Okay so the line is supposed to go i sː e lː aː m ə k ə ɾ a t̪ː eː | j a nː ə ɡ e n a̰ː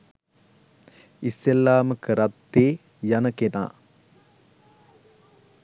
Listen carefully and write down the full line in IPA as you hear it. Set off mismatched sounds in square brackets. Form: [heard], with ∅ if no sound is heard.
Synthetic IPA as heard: i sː e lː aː m ə k ə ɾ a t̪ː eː | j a [n] ə [k] e n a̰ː